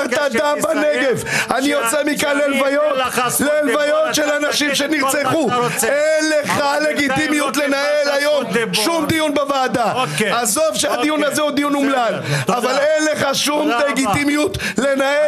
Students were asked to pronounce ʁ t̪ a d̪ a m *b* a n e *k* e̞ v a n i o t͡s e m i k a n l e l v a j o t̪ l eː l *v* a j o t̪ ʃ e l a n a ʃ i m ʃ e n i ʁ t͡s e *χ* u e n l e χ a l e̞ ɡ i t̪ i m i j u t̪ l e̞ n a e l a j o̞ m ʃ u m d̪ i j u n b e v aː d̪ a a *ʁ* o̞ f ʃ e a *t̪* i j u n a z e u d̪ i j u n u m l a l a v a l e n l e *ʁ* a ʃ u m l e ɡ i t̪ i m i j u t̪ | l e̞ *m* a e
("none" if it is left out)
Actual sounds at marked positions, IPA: b, ɡ, v, χ, z, d̪, χ, n

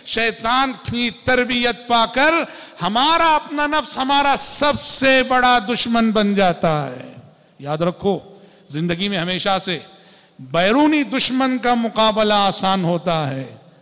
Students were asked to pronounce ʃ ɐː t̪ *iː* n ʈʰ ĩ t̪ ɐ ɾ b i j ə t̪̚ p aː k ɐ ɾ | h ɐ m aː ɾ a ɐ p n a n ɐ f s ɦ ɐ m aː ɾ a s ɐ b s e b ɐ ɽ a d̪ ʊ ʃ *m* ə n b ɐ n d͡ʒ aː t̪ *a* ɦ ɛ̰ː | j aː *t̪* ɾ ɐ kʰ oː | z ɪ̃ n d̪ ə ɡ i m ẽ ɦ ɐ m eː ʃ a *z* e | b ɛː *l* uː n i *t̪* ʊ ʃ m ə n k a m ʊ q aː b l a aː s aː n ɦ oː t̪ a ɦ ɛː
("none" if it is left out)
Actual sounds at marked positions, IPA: aː, m, a, d̪, s, ɾ, d̪

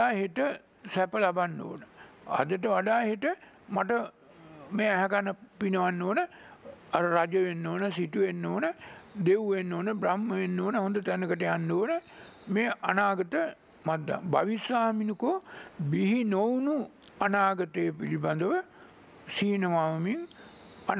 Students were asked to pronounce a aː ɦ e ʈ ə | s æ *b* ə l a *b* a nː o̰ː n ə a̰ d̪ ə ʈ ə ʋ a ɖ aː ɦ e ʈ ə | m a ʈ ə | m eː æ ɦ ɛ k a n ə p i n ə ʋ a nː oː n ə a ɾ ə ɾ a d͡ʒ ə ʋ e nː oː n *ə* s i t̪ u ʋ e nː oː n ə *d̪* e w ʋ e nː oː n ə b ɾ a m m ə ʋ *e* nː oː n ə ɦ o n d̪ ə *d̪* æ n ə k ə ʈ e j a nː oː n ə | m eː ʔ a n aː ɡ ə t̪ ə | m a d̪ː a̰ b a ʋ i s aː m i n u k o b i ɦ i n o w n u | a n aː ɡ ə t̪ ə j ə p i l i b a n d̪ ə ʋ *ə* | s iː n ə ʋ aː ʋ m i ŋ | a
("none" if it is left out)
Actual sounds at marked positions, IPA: p, b, ə, d̪, e, t̪, ə

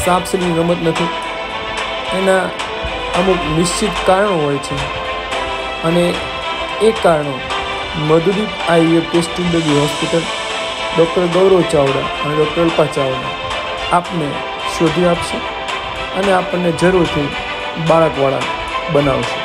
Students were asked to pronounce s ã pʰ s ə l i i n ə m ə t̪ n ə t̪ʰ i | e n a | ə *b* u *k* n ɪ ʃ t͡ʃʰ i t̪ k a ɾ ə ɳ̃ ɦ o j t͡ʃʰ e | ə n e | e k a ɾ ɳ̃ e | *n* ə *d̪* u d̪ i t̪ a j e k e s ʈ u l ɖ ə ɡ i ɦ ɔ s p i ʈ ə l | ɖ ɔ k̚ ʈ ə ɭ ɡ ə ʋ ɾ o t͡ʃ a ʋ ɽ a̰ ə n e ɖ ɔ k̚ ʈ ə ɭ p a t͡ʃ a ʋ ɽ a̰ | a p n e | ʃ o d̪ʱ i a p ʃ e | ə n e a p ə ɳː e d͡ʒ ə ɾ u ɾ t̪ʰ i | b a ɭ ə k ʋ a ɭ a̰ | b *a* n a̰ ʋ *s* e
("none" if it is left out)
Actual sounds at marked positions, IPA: m, k, m, d̪, ə, ʃ

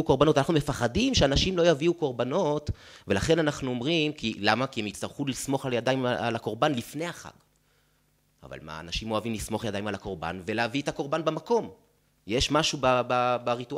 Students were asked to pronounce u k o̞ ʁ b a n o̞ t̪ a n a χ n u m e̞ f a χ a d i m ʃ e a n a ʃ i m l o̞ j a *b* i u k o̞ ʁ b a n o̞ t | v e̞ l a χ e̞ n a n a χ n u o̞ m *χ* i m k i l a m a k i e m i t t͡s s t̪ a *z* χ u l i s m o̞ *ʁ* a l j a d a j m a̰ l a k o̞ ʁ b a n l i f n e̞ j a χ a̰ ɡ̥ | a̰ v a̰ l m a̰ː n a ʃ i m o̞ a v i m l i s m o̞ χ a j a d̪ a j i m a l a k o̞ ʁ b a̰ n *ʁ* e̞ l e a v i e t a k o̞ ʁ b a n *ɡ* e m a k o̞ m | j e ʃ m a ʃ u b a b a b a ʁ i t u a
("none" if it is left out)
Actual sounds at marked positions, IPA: v, ʁ, ʁ, χ, v, b

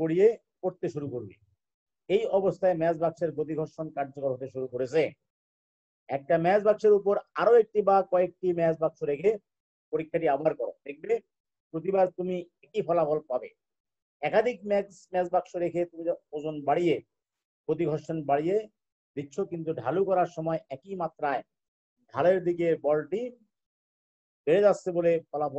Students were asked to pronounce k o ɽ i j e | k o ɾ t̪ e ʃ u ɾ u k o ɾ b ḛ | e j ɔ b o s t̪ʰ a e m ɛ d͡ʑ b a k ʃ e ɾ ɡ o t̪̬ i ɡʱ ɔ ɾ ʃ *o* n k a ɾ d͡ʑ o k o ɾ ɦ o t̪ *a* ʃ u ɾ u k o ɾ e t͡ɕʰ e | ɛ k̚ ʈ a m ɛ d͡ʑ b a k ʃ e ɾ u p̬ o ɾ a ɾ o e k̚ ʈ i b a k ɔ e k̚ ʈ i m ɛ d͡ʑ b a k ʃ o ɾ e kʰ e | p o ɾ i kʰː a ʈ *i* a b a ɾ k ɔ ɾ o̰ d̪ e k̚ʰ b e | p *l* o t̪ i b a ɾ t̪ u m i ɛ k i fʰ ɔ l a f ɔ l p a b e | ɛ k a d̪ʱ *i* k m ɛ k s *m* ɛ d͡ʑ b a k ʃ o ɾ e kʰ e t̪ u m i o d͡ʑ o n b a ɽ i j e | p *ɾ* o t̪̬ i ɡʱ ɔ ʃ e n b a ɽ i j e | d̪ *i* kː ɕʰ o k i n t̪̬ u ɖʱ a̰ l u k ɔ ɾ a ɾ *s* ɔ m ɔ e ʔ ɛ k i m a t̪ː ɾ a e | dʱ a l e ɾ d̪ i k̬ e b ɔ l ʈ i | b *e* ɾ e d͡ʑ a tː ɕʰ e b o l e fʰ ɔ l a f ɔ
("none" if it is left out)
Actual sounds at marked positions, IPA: o, e, i, ɾ, i, m, ɾ, i, ʃ, e

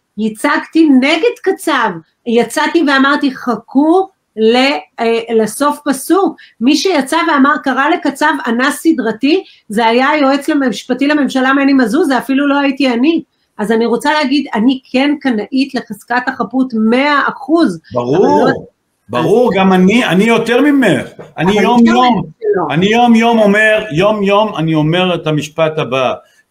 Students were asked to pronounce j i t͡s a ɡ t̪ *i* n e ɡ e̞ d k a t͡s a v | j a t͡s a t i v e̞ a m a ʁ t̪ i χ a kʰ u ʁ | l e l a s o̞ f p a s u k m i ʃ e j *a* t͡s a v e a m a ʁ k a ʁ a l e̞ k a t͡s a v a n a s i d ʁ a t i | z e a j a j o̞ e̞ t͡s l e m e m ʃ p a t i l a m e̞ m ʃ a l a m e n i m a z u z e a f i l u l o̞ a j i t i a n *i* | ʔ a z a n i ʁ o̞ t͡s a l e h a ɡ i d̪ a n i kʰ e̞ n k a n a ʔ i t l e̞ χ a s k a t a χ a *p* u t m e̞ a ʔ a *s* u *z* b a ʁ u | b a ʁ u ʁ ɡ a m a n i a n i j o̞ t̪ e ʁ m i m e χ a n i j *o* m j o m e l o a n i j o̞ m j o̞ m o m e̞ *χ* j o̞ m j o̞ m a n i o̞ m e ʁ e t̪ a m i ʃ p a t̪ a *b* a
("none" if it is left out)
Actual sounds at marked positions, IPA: i, a, i, p, χ, z, o, ʁ, b

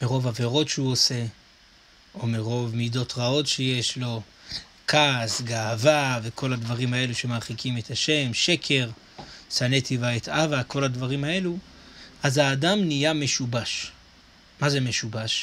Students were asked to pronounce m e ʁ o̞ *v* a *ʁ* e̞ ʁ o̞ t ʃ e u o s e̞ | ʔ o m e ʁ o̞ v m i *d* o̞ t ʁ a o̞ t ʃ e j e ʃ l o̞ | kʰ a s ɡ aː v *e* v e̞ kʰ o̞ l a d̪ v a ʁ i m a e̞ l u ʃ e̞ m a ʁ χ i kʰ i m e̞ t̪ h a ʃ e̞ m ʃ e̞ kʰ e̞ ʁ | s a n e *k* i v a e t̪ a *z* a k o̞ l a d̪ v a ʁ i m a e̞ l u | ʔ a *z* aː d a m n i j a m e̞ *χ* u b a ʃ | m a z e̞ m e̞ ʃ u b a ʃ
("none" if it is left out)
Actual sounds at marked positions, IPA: v, v, d, a, t, v, z, ʃ

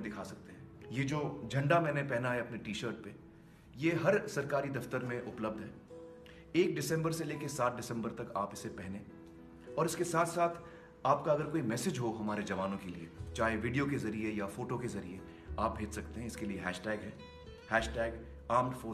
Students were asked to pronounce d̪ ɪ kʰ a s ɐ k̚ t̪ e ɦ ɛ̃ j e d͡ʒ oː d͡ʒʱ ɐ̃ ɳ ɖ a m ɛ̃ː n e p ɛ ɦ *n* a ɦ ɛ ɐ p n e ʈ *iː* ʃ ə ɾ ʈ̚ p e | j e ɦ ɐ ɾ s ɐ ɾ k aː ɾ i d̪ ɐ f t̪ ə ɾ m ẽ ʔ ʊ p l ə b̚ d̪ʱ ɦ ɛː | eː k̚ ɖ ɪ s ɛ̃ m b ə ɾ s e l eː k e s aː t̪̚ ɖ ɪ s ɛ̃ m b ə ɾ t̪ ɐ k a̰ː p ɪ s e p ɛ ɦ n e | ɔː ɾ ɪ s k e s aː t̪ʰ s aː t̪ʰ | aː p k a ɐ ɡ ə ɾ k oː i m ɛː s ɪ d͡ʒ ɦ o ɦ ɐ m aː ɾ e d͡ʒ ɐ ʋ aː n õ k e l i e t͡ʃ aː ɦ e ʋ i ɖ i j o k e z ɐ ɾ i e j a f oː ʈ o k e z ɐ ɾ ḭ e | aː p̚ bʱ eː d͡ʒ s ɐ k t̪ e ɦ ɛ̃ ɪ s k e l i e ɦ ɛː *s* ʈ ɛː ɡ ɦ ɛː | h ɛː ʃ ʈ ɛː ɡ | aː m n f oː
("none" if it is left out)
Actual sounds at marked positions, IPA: n, iː, ʃ

